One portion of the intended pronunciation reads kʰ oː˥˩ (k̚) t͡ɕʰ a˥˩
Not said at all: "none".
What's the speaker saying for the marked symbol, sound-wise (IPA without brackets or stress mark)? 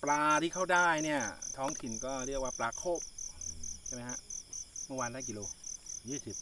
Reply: p̚